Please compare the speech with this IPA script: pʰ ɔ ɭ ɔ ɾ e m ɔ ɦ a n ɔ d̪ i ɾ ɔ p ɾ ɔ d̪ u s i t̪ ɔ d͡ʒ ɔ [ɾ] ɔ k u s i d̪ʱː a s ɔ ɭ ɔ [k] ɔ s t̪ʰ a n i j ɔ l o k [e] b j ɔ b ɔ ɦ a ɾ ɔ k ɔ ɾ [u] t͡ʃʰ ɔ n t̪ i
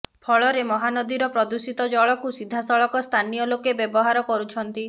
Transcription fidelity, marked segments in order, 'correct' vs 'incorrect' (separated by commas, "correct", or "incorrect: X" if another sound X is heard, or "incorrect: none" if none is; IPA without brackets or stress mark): incorrect: ɭ, correct, correct, correct